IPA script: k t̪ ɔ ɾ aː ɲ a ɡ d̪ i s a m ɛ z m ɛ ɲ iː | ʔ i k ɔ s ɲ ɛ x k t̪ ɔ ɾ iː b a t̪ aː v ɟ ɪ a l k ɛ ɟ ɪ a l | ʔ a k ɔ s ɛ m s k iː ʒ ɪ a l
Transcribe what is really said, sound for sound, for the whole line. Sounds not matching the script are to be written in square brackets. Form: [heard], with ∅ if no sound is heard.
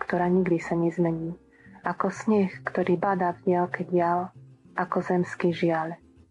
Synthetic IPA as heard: k t̪ ɔ ɾ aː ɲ [i] ɡ d̪ i s a [ɲ] ɛ z m ɛ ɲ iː | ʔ [a] k ɔ s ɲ ɛ x k t̪ ɔ ɾ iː b a [d̪] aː v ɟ ɪ a l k ɛ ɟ ɪ a l | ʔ a k ɔ [z] ɛ m s k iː ʒ ɪ a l